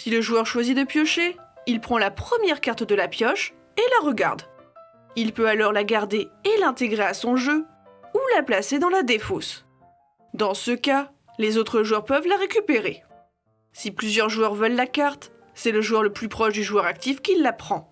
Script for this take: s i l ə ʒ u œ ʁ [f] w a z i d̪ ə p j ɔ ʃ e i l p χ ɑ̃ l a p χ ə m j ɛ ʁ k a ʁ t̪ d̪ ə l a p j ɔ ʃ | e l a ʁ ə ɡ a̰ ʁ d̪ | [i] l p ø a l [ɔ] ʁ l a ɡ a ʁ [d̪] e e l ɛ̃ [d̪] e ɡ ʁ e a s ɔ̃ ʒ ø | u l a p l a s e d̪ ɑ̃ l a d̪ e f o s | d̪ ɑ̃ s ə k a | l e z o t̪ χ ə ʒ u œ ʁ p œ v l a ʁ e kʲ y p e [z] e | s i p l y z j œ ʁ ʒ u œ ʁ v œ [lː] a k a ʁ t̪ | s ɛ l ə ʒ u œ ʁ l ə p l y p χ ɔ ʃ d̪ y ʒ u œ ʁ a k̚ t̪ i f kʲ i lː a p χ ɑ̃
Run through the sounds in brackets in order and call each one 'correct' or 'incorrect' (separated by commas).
incorrect, correct, correct, correct, incorrect, incorrect, correct